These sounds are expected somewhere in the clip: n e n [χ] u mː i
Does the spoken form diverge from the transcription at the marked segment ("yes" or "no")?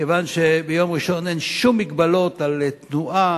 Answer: yes